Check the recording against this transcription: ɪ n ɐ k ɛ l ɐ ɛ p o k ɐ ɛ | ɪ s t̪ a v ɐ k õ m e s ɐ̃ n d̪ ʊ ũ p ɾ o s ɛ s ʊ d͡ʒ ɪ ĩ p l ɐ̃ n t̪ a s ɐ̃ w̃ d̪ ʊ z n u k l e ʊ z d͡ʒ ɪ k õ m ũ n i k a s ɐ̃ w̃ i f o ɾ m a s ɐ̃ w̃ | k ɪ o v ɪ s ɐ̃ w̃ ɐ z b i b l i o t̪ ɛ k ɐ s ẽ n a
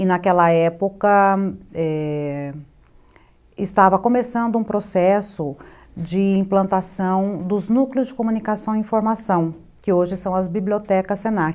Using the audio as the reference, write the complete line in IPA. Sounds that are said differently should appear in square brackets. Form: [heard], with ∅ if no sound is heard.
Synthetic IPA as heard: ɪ n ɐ k ɛ l ɐ ɛ p o k ɐ ɛ | ɪ s t̪ a v ɐ k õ m e s ɐ̃ n d̪ ʊ ũ p ɾ o s ɛ s ʊ d͡ʒ ɪ ĩ p l ɐ̃ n t̪ a s ɐ̃ w̃ d̪ ʊ z n u k l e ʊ z d͡ʒ ɪ k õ m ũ n i k a s ɐ̃ w̃ [ĩ] f o ɾ m a s ɐ̃ w̃ | k ɪ o [ʒ] ɪ s ɐ̃ w̃ ɐ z b i b l i o t̪ ɛ k ɐ s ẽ n a